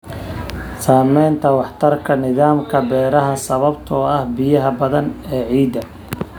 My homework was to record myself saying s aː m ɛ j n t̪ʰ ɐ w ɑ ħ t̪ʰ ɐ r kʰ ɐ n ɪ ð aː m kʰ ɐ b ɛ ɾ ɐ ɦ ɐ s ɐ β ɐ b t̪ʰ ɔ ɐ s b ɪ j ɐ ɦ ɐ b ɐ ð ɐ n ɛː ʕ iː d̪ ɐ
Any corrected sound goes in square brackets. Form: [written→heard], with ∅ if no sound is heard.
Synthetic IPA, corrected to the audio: s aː m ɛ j n t̪ʰ ɐ w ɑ ħ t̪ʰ ɐ r kʰ ɐ n ɪ ð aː m kʰ ɐ b [ɛ→ɛː] ɾ ɐ ɦ ɐ s ɐ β ɐ b t̪ʰ ɔ ɐ [s→h] b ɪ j ɐ ɦ ɐ b ɐ ð ɐ n ɛː ʕ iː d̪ ɐ